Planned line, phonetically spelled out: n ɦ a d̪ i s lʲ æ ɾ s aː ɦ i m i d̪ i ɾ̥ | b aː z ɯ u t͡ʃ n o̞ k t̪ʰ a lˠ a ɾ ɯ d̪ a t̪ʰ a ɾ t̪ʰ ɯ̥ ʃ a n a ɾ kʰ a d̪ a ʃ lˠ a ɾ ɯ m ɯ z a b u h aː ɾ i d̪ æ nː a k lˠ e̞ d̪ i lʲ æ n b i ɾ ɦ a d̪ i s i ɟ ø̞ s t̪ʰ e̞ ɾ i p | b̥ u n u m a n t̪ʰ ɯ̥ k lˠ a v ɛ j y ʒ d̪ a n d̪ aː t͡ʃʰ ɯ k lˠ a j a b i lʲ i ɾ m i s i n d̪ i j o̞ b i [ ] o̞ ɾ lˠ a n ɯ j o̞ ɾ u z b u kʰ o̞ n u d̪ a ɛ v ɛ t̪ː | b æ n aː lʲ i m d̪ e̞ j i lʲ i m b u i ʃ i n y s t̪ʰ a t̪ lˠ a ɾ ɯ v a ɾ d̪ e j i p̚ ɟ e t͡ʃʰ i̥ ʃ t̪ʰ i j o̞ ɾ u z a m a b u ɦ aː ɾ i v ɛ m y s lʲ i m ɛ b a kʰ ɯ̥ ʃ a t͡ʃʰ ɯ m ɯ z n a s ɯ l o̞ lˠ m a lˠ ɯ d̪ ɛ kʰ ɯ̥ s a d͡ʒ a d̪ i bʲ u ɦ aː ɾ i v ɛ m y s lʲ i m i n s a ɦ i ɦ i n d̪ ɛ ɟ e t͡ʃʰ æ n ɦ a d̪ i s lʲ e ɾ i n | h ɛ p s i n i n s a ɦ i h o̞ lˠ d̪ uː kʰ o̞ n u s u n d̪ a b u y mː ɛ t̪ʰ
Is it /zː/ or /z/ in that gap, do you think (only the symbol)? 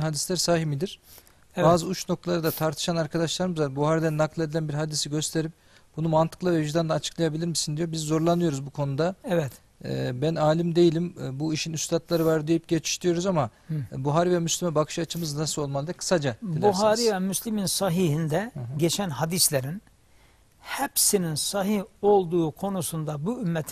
zː